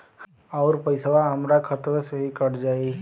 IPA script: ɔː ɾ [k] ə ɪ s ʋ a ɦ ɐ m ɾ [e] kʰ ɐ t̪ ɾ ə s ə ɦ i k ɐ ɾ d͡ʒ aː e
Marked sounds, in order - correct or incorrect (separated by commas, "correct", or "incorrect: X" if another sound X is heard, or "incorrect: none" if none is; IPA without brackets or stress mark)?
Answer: incorrect: p, incorrect: a